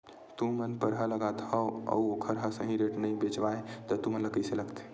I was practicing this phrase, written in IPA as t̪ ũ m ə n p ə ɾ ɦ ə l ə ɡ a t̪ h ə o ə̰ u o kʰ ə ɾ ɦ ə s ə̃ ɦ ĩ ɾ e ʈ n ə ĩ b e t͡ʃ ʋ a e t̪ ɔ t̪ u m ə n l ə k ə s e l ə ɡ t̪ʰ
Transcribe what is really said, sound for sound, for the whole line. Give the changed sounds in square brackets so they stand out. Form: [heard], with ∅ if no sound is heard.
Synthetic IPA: t̪ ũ m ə n p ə ɾ ɦ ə l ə ɡ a t̪ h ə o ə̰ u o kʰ ə ɾ ɦ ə s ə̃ ɦ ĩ ɾ e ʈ n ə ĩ b e t͡ʃ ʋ a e t̪ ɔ t̪ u m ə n l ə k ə s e l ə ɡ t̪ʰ